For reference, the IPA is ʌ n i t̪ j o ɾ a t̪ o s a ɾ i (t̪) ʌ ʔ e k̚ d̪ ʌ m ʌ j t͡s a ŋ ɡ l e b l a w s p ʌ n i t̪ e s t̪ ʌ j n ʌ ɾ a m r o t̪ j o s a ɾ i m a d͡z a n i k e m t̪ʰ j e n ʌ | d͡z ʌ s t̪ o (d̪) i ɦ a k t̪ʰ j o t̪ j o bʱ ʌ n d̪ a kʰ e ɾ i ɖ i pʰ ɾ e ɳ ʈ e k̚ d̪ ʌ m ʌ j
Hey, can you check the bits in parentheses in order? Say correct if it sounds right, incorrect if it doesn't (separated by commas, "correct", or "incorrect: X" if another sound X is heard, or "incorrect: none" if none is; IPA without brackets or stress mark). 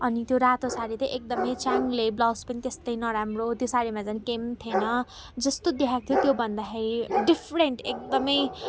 correct, correct